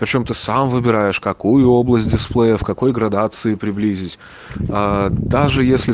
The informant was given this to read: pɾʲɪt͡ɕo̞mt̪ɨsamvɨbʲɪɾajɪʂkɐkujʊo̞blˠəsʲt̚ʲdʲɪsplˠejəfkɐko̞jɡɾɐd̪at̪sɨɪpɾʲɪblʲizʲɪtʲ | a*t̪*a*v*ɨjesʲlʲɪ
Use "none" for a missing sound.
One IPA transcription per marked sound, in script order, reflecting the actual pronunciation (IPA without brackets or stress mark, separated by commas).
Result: d̪, ʐ